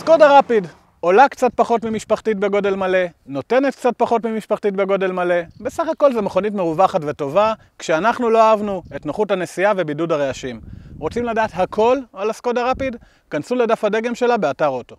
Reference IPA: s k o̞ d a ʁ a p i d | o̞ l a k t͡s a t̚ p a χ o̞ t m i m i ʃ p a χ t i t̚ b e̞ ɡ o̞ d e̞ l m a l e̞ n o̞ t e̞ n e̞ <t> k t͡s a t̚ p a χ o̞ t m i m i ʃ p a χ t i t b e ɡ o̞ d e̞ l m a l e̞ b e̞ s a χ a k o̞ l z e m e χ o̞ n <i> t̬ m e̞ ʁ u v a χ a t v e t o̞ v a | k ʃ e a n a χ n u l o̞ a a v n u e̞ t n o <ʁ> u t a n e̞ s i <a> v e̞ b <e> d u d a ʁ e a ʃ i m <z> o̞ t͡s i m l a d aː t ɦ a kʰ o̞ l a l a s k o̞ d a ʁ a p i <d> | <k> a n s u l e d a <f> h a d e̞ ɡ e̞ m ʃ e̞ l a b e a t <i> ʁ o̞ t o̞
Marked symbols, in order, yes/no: yes, yes, no, yes, no, no, yes, yes, yes, no

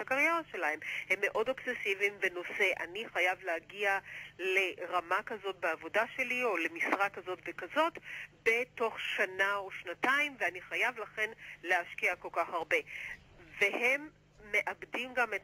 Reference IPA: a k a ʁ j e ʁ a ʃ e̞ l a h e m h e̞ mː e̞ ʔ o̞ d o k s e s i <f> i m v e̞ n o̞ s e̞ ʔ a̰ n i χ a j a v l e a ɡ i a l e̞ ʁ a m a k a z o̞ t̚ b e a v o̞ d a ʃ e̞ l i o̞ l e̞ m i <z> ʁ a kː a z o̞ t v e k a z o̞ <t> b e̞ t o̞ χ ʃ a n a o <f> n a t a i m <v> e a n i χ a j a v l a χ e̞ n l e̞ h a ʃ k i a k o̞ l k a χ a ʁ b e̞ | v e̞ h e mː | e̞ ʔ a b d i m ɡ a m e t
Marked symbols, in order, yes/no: no, no, yes, no, yes

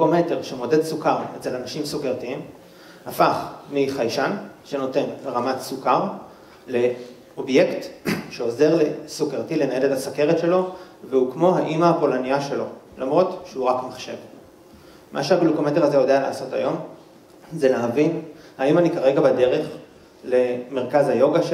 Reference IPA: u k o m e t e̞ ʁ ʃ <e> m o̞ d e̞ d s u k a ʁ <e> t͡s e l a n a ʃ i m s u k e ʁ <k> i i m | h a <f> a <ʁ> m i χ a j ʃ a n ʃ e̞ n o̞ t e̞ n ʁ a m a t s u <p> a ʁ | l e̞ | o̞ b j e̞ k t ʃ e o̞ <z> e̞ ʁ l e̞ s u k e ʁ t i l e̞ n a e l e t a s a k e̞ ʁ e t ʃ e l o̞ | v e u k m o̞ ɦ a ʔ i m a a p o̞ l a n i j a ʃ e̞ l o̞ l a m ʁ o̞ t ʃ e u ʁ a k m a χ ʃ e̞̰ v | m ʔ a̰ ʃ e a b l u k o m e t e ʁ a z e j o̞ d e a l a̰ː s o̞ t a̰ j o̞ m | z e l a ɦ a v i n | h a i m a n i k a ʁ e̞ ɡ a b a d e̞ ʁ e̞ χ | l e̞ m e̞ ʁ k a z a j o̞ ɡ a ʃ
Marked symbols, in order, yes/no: yes, yes, no, yes, no, no, yes

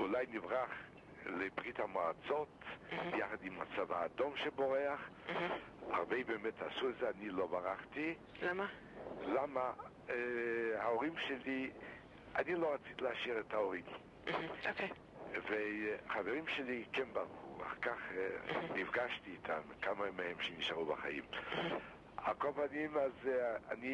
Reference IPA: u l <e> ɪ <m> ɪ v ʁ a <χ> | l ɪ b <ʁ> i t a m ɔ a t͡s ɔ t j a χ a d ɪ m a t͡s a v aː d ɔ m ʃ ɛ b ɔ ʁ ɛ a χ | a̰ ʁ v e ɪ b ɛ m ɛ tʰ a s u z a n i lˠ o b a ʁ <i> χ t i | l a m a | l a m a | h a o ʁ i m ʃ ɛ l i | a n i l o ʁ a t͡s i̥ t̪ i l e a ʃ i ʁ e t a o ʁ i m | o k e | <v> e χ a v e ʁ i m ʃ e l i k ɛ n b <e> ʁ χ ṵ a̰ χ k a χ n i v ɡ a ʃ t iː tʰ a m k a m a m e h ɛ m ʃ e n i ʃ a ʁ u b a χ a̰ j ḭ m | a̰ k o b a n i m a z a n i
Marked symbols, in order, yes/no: no, no, yes, yes, no, yes, no

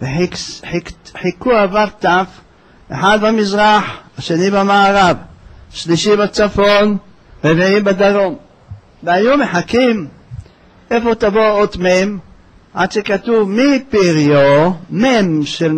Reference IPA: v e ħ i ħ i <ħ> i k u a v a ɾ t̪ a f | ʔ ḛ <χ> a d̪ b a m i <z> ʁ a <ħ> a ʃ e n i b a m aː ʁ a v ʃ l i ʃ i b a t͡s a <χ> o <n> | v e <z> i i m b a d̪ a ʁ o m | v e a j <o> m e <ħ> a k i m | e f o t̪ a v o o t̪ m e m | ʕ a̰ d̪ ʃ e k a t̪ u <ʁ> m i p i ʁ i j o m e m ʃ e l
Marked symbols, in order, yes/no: yes, no, yes, yes, no, yes, no, no, yes, no

